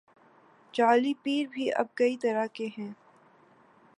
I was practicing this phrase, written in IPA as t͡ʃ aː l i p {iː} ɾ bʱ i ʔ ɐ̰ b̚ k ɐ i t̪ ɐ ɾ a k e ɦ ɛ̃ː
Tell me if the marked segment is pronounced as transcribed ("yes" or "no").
yes